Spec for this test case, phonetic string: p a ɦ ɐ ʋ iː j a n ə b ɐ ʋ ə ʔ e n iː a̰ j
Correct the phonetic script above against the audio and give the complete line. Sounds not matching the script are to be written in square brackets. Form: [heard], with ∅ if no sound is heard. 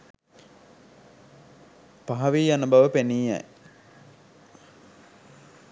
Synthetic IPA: p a ɦ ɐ ʋ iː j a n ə b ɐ ʋ ə [p] e n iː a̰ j